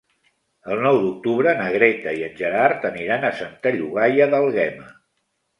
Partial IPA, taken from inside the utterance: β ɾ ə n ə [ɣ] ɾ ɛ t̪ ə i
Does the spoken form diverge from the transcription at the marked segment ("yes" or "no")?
no